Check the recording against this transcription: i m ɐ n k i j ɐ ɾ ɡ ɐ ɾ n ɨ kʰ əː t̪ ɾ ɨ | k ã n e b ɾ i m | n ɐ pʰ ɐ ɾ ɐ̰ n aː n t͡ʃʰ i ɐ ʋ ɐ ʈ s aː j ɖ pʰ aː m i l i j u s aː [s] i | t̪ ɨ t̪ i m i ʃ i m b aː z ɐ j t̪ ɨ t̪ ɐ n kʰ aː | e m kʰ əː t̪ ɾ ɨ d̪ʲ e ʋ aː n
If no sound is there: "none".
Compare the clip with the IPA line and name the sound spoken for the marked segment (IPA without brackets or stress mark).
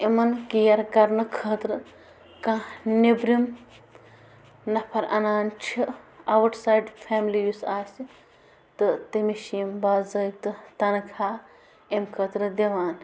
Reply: s